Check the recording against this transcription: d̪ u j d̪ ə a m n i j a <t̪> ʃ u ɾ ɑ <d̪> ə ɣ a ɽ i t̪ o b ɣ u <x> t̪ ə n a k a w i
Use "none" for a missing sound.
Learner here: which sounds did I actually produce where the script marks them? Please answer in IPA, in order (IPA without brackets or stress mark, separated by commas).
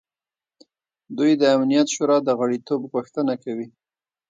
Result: t̪, d̪, x